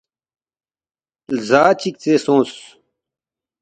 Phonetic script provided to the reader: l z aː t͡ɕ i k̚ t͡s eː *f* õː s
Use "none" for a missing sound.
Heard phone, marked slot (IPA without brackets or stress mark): s